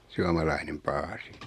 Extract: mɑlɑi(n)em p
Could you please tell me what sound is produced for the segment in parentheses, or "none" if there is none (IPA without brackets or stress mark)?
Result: n